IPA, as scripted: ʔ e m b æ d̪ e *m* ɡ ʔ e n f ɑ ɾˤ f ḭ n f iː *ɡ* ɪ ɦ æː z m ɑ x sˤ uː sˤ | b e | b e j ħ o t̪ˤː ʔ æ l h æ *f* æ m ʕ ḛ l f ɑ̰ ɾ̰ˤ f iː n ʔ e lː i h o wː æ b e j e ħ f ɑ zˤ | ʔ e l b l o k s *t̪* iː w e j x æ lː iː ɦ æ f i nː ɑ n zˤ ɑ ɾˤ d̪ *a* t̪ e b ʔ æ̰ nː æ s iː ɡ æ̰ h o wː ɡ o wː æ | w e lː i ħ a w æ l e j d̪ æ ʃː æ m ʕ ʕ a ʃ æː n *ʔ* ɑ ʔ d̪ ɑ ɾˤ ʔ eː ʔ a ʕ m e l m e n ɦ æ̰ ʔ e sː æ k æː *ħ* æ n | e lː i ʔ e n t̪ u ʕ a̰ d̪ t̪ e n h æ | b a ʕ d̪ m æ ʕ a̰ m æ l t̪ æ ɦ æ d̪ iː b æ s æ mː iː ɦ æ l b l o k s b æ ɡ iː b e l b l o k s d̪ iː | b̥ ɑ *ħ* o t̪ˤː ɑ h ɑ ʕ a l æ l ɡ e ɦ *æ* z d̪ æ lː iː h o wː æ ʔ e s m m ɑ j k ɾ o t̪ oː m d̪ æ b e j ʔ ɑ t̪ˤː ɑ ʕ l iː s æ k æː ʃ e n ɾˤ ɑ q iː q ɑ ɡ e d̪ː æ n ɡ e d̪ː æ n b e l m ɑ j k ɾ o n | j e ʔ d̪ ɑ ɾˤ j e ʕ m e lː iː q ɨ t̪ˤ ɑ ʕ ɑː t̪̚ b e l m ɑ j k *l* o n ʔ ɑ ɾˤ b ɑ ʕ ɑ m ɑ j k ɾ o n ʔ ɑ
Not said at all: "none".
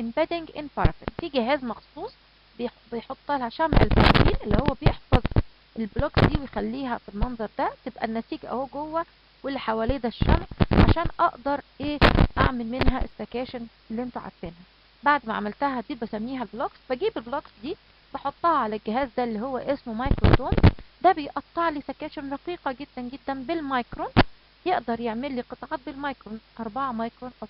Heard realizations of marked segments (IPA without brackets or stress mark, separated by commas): ŋ, ɡ, ʃ, d̪, æ, ʔ, ʃ, ħ, æː, ɾ